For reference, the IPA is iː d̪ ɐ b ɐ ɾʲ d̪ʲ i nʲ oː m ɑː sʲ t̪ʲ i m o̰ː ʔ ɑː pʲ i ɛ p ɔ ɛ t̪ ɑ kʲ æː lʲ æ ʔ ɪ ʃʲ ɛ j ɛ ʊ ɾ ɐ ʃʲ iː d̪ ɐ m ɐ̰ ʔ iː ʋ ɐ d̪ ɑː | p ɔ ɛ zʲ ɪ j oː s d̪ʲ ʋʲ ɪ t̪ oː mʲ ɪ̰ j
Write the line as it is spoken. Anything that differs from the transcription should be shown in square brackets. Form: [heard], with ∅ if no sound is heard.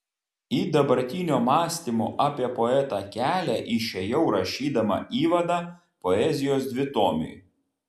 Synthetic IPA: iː d̪ ɐ b ɐ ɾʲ [t̪ʲ] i nʲ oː m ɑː sʲ t̪ʲ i m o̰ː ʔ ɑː pʲ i ɛ p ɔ ɛ t̪ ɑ kʲ æː lʲ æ ʔ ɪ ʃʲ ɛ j ɛ ʊ ɾ ɐ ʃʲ iː d̪ ɐ m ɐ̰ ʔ iː ʋ ɐ d̪ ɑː | p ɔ ɛ zʲ ɪ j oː s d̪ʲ ʋʲ ɪ t̪ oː mʲ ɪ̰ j